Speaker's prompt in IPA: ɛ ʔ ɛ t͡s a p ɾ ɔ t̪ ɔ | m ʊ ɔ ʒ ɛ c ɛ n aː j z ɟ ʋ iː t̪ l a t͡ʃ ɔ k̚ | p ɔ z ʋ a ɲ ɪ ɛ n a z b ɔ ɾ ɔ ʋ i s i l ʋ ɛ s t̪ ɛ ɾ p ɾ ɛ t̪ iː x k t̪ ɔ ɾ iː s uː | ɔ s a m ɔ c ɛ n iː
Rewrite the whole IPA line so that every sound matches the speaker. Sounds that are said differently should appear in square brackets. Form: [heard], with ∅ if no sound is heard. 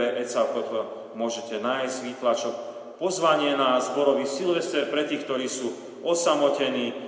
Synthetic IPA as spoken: ɛ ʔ ɛ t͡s a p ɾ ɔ t̪ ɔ | m ʊ ɔ ʒ ɛ c ɛ n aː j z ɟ ʋ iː t̪ l a t͡ʃ ɔ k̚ | p ɔ z ʋ a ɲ ɪ ɛ n a z b ɔ ɾ ɔ ʋ i s i l ʋ ɛ s t̪ ɛ ɾ p ɾ ɛ t̪ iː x k t̪ ɔ ɾ iː s uː | ɔ s a m ɔ c ɛ n iː